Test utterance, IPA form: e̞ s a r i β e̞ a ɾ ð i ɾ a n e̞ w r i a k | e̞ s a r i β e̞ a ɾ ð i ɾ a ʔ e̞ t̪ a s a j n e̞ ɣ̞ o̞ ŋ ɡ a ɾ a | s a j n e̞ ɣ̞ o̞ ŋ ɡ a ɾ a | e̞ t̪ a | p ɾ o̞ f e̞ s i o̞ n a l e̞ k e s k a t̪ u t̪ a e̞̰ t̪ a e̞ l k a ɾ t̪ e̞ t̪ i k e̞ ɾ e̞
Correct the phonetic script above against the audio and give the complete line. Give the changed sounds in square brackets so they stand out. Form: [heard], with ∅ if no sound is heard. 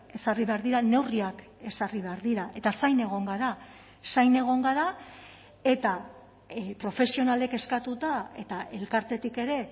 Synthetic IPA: e̞ s a r i β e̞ a ɾ ð i ɾ a n e̞ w r i a k | e̞ s a r i β e̞ a ɾ ð i ɾ a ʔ e̞ t̪ a s a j n e̞ ɣ̞ o̞ ŋ ɡ a ɾ a | s a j n e̞ ɣ̞ o̞ ŋ ɡ a ɾ a | e̞ t̪ a | p ɾ o̞ f e̞ s i o̞ n a l e̞ k e s k a t̪ u t̪ a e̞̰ t̪ a e̞ l k a ɾ t̪ e̞ t̪ i k e̞ ɾ e̞